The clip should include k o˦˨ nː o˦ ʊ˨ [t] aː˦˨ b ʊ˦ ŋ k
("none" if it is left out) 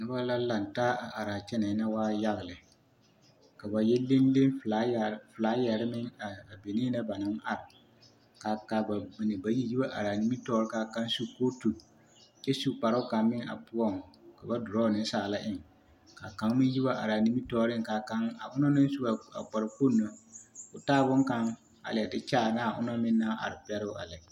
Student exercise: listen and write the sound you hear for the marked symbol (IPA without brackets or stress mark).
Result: t